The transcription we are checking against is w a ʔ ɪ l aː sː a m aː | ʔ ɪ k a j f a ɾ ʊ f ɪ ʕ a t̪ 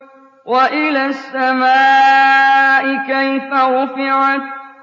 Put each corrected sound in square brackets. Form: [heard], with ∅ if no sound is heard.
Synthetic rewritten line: w a ʔ ɪ l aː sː a m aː | ʔ ɪ k a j f a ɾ ʊ f ɪ ʕ a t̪